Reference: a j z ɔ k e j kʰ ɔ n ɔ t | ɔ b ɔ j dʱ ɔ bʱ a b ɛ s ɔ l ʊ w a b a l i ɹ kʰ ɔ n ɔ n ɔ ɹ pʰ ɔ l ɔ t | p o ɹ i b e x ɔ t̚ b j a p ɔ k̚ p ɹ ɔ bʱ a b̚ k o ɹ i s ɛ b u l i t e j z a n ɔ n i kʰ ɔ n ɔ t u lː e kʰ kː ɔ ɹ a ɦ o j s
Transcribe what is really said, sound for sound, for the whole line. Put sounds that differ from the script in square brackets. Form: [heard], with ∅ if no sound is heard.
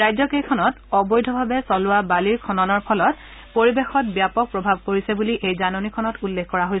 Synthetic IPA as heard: a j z ɔ k e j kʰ ɔ n ɔ t | ɔ b ɔ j dʱ ɔ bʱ a b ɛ s ɔ l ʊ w a b a l i ɹ kʰ ɔ n ɔ n ɔ ɹ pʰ ɔ l ɔ t | p o ɹ i b e x ɔ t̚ b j a p ɔ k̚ p ɹ ɔ bʱ a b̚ k o ɹ i s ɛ b u l i [ʔ] e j z a n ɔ n i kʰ ɔ n ɔ t u lː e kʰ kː ɔ ɹ a ɦ o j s